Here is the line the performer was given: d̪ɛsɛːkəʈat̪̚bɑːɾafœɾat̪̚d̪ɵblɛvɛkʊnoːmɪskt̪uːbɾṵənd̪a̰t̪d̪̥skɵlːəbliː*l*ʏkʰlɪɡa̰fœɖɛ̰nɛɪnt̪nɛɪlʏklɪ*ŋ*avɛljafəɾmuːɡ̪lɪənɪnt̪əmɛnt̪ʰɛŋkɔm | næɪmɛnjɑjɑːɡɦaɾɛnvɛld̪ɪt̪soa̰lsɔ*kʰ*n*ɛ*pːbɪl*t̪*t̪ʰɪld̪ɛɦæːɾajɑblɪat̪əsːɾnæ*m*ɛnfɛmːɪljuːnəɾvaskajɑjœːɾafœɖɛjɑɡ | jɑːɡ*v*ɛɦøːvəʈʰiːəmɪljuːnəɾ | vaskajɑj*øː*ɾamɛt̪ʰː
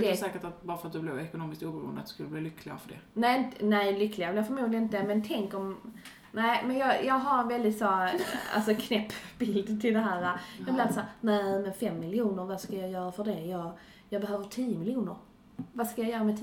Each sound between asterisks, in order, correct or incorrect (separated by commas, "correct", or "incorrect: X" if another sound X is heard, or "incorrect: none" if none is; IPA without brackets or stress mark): correct, incorrect: ɡ, correct, correct, incorrect: d̪, correct, incorrect: b, incorrect: œː